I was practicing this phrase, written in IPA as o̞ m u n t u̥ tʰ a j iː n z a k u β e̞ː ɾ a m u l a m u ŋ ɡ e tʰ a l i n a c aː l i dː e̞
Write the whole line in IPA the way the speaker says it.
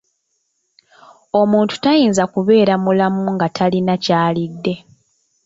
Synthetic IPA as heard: o̞ m uː n t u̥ t a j iː n z a k u β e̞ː ɾ a m u l a m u ŋ ɡ a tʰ a l i n a c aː l i dː e̞